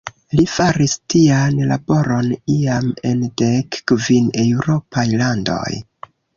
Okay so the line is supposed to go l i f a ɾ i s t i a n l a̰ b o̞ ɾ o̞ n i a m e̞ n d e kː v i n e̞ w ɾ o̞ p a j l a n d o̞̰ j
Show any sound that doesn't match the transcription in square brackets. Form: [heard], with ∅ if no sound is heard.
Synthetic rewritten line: l i f a ɾ i s t i a n l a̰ b o̞ ɾ o̞ n i a m e̞ n d e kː v i n e̞ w ɾ o̞ p a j l a n d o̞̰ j